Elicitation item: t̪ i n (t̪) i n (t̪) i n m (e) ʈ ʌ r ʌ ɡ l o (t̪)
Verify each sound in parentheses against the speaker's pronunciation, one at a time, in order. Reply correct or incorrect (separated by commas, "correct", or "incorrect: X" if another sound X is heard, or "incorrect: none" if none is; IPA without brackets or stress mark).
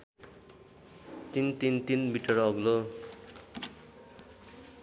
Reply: correct, correct, incorrect: i, incorrect: none